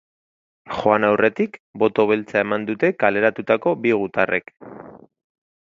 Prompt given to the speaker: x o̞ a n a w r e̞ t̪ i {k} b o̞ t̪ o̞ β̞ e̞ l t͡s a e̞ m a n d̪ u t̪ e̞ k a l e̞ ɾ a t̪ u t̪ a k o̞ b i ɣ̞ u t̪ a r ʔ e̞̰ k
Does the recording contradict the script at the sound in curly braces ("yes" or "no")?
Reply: no